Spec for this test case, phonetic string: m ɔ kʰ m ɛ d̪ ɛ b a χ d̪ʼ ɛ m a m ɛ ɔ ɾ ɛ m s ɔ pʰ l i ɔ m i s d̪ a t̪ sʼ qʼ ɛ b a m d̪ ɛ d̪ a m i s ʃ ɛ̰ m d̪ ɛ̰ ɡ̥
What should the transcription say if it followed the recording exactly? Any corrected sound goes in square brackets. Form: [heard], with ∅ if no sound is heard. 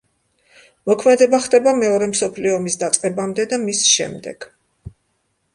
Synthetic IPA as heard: m ɔ kʰ m ɛ d̪ ɛ b a χ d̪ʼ ɛ [b] a m ɛ ɔ ɾ ɛ m s ɔ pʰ l i ɔ m i s d̪ a t̪ sʼ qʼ ɛ b a m d̪ ɛ d̪ a m i s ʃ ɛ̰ m d̪ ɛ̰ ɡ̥